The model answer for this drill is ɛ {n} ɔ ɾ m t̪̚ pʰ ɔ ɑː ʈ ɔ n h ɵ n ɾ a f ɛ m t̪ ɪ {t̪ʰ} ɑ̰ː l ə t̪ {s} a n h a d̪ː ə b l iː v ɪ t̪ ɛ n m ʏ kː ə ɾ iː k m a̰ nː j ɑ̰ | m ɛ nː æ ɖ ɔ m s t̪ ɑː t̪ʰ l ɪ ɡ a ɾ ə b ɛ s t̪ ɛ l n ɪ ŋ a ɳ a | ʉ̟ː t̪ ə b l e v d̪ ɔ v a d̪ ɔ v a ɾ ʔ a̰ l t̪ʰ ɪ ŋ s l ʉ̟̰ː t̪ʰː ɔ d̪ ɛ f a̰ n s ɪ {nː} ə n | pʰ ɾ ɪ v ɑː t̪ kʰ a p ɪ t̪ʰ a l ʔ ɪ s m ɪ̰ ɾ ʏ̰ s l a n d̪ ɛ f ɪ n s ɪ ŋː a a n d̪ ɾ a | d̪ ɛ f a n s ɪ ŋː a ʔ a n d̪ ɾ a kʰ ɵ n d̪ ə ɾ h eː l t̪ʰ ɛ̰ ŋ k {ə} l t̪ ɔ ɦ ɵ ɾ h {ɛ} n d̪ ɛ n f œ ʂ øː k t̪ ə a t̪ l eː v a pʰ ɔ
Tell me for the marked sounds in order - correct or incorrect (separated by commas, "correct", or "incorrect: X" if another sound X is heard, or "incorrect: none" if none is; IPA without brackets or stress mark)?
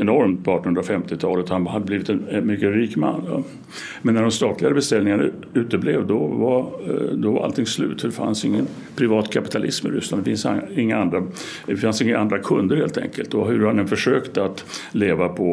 correct, correct, incorrect: h, incorrect: ŋː, correct, incorrect: a